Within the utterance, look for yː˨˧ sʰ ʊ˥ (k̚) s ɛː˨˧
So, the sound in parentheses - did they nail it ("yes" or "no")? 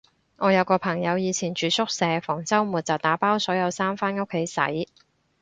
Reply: yes